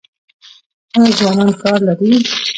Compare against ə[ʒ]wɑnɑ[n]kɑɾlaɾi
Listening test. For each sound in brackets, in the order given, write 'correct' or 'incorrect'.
incorrect, correct

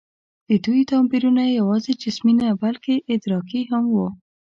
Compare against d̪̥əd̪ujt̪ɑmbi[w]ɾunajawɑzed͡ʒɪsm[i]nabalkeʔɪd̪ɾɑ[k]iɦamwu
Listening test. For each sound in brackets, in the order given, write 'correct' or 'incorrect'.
incorrect, correct, correct

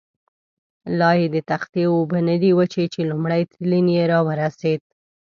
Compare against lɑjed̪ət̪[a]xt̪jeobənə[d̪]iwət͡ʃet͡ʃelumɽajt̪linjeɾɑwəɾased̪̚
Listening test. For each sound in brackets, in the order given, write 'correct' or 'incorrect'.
correct, correct

